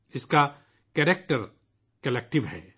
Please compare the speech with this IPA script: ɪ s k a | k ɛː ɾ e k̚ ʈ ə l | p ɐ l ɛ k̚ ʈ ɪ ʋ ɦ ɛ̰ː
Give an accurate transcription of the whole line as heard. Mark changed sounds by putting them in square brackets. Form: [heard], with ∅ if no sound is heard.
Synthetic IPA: ɪ s k a | k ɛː ɾ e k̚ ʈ ə [ɾ] | [k] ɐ l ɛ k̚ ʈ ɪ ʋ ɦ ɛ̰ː